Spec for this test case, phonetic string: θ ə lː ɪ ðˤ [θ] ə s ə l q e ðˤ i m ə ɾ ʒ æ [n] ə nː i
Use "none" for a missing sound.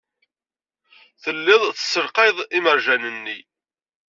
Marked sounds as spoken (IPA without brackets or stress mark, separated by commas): θ, n